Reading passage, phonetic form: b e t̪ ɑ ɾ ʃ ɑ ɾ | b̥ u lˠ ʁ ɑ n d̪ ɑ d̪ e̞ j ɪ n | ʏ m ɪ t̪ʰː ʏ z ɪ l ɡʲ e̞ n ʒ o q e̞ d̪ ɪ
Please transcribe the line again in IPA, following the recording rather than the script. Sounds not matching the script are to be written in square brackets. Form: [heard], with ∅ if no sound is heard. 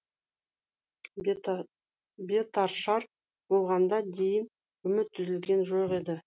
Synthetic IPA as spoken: b e t̪ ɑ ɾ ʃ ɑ ɾ | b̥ [o] lˠ ʁ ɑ n d̪ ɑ d̪ e̞ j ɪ n | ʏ m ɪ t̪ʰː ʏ z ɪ l ɡʲ e̞ n ʒ o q e̞ d̪ ɪ